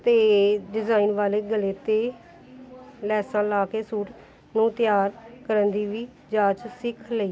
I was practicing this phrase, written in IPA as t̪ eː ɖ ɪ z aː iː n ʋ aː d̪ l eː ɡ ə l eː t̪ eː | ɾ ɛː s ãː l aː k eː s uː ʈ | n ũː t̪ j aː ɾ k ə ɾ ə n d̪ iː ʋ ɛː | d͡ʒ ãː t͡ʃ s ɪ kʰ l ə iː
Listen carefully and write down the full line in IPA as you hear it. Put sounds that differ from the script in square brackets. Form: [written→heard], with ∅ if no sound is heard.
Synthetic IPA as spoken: t̪ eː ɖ ɪ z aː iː n ʋ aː [d̪→∅] l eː ɡ ə l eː t̪ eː | [ɾ→l] ɛː s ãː l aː k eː s uː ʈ | n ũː t̪ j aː ɾ k ə ɾ ə n d̪ iː ʋ [ɛː→iː] | d͡ʒ [ãː→aː] t͡ʃ s ɪ kʰ l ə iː